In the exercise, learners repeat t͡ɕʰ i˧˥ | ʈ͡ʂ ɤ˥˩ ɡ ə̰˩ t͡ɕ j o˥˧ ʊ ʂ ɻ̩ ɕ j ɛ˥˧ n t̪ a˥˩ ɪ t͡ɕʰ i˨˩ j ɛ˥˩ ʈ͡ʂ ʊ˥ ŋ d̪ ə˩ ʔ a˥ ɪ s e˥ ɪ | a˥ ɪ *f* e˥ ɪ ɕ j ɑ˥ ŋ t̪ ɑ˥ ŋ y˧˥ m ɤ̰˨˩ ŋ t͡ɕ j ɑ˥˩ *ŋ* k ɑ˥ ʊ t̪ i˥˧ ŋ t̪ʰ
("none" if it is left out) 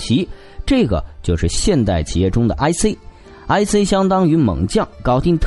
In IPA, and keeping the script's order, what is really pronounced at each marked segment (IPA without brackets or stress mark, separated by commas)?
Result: s, ŋ